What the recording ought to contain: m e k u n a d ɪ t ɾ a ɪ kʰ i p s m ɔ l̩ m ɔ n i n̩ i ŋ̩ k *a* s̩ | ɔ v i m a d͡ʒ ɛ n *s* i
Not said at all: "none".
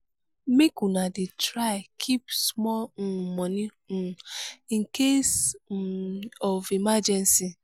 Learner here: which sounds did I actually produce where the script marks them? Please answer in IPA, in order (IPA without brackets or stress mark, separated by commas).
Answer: e, s